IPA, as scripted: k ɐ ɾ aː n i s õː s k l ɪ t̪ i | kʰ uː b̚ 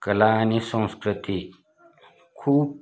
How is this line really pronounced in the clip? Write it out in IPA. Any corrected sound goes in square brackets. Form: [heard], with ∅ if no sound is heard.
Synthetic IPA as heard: k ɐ [l] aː n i s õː s k [ɾ] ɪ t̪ i | kʰ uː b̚